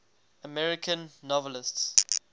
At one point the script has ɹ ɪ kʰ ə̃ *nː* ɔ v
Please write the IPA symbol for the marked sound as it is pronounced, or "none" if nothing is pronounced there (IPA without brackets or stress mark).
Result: nː